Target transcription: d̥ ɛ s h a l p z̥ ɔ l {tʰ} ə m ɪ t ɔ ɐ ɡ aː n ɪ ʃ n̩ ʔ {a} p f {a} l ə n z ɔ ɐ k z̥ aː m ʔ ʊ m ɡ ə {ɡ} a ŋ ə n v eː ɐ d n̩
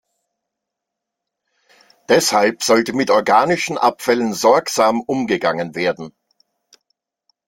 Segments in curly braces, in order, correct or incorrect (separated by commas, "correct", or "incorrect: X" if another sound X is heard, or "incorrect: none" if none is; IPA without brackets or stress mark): incorrect: t, correct, incorrect: ɛ, correct